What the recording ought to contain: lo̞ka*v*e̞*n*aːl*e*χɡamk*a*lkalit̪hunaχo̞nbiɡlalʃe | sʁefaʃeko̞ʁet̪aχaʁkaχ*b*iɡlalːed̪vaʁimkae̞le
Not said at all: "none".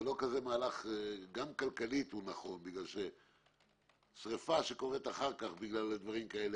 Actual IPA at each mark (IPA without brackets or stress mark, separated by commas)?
z, m, a, a, b